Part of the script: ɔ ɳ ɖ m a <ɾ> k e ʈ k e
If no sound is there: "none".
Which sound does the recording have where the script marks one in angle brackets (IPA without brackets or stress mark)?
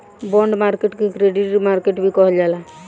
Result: ɾ